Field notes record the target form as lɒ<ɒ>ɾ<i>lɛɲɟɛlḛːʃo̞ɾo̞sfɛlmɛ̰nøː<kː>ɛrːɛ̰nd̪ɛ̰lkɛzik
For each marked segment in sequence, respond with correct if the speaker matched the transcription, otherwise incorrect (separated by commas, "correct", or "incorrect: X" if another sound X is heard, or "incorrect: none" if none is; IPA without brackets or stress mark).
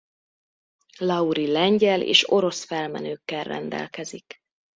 incorrect: u, correct, correct